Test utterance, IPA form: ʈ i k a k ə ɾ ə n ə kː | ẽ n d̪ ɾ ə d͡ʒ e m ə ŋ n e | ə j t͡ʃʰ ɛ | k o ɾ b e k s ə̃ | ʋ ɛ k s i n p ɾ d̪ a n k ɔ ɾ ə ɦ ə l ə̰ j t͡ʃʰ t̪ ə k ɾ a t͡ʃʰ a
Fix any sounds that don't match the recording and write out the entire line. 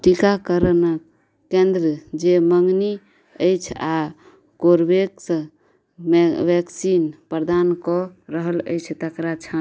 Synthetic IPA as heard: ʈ i k a k ə ɾ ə n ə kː | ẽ n d̪ ɾ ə d͡ʒ e m ə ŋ n i | ə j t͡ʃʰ a | k o ɾ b e k s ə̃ | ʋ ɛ k s i n p ɾ d̪ a n k ɔ ɾ ə ɦ ə l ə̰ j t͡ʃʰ t̪ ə k ɾ a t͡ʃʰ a